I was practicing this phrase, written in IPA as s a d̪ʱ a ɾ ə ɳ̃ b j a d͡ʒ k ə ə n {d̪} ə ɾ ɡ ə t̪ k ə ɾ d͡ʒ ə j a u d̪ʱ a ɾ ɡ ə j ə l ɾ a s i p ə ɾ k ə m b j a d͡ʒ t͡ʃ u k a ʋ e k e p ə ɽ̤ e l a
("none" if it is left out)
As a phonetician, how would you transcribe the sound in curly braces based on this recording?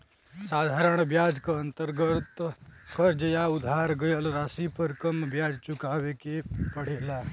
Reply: t̪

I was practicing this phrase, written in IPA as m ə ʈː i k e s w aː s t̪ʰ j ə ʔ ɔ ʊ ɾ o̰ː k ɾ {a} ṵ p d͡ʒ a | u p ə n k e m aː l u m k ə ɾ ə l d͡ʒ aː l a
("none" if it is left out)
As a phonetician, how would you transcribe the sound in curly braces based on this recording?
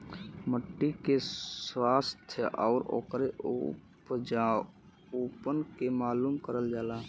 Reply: e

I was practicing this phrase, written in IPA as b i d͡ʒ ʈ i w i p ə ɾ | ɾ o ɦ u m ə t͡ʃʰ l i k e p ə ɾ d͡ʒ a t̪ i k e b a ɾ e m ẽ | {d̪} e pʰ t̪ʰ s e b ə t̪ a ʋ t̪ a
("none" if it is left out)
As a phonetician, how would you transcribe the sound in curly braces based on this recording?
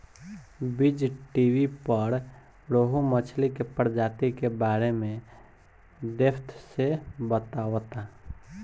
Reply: d̪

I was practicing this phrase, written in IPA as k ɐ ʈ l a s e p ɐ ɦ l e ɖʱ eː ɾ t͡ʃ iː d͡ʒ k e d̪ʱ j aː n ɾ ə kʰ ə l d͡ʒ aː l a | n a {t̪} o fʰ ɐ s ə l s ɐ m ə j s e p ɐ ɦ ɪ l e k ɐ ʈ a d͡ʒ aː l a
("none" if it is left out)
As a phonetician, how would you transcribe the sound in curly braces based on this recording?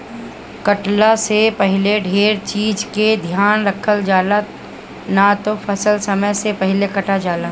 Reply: t̪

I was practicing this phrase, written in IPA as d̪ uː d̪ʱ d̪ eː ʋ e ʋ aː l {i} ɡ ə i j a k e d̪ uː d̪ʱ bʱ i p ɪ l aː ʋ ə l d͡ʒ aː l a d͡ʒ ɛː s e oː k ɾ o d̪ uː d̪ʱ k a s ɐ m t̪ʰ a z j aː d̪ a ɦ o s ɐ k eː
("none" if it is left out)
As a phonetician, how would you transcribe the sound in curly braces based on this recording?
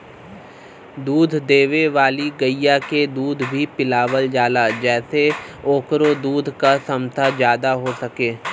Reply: i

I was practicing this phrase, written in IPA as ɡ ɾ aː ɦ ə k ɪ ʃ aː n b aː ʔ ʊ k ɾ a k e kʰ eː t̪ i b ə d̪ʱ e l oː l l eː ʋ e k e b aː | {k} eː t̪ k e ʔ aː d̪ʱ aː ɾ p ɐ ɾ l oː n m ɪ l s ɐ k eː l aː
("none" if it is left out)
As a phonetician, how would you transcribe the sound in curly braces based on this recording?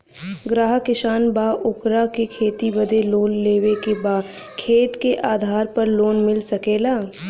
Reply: kʰ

